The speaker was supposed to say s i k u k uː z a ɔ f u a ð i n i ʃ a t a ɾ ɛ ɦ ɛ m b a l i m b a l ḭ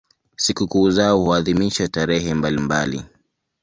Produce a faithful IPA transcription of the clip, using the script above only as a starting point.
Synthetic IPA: s i k u k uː z a ɔ h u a ð i m i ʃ a t a ɾ ɛ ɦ ɛ m b a l i m b a l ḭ